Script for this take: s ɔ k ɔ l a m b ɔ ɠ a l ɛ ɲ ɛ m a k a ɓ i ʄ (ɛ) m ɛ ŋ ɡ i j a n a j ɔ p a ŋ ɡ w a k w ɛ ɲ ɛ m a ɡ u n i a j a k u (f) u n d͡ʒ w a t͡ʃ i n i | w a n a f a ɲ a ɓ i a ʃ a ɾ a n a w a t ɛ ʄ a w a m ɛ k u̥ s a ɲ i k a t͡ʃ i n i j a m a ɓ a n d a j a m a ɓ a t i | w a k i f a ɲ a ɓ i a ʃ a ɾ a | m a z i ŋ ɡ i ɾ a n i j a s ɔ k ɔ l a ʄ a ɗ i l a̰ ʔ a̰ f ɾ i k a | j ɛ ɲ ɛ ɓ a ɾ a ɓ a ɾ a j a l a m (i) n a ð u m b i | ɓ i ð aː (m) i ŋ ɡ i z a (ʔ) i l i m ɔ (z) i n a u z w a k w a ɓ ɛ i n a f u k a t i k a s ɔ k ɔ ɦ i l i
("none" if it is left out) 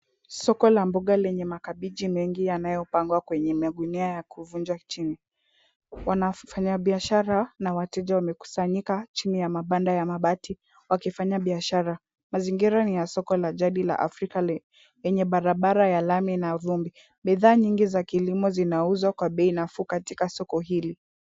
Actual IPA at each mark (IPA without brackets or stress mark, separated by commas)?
i, v, i, ɲ, k, z